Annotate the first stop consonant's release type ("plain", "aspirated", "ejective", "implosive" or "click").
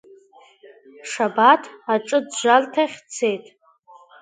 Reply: plain